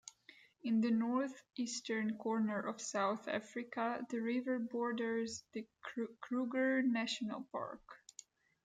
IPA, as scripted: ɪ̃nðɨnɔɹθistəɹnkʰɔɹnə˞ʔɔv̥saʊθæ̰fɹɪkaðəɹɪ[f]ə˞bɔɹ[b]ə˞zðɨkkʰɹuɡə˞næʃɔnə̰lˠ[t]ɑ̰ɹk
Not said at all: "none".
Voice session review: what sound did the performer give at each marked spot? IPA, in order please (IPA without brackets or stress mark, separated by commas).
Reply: v, d, p